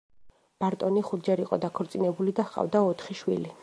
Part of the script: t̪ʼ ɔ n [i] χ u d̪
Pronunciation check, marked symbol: correct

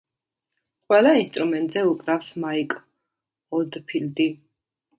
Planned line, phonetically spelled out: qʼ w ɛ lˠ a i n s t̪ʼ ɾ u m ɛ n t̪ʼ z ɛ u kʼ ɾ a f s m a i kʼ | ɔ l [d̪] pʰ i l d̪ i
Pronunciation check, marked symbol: correct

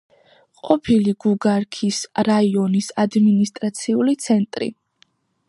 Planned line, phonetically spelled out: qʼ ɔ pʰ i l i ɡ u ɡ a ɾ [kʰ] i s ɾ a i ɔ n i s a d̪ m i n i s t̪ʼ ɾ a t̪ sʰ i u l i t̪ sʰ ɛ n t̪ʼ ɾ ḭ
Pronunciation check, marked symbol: correct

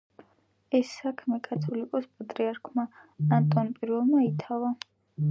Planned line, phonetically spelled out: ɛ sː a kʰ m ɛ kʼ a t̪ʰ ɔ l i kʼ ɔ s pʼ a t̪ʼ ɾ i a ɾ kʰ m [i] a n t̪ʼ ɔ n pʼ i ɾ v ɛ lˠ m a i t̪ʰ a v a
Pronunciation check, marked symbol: incorrect: a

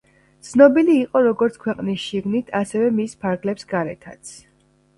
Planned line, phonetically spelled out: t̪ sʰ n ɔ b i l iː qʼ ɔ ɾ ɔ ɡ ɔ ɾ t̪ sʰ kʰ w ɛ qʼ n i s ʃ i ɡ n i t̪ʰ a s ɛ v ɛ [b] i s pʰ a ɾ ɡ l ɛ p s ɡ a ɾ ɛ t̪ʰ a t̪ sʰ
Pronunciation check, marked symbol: incorrect: m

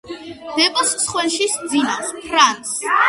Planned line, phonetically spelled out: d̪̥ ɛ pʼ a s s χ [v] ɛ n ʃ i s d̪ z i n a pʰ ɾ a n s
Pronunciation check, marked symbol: incorrect: w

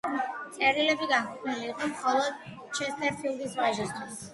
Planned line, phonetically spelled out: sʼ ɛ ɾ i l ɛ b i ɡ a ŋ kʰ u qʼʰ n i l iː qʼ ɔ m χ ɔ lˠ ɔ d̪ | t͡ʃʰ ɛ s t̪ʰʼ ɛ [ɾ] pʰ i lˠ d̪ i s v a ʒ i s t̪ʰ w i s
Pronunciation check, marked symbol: correct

